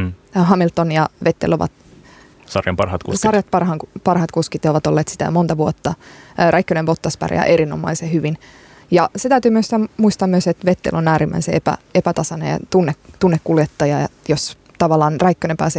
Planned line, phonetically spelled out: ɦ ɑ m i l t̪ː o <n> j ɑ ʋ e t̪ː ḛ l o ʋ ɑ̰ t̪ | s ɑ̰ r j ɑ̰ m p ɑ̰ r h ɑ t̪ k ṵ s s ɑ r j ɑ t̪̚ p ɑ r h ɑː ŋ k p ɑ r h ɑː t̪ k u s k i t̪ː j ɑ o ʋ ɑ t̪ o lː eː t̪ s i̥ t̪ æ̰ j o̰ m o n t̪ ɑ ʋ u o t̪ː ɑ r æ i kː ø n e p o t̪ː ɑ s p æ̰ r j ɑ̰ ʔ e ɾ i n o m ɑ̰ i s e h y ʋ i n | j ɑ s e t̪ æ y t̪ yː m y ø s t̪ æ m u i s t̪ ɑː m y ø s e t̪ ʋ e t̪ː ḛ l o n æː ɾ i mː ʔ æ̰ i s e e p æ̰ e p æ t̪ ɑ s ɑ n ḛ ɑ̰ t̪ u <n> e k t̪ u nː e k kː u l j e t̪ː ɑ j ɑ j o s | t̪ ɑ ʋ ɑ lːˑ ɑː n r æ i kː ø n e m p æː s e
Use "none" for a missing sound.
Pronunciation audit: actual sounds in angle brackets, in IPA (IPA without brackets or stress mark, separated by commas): n, nː